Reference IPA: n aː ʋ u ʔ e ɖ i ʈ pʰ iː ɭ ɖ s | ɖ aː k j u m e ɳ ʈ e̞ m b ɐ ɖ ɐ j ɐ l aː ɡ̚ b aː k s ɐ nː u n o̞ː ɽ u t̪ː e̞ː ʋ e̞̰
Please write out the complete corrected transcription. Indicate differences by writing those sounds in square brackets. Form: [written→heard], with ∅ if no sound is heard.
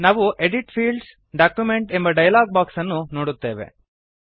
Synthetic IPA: n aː ʋ u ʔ e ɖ i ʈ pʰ iː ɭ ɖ s | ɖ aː k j u m e ɳ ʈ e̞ m b ɐ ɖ ɐ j ɐ l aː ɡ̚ b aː k s ɐ nː u n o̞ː ɽ u t̪ː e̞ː ʋ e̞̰